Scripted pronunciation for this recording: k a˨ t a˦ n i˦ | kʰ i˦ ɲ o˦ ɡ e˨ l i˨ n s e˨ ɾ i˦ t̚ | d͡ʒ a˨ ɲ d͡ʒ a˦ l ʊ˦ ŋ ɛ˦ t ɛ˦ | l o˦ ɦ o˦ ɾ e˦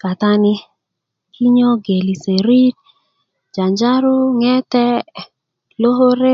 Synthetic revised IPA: k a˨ t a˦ n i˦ | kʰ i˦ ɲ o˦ ɡ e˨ l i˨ s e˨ ɾ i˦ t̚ | d͡ʒ a˨ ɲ d͡ʒ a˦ ɾ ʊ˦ ŋ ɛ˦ t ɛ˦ | l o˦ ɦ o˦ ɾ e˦